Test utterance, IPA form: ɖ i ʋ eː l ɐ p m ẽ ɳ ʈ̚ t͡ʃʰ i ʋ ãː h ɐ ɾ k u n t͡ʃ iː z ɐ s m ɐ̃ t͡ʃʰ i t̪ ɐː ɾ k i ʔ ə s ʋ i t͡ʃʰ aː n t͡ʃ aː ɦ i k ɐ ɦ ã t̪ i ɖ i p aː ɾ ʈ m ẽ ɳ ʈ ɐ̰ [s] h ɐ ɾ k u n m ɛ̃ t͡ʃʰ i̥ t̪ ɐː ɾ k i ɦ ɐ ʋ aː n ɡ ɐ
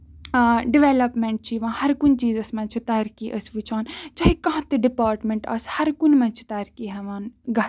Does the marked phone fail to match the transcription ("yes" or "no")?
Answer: no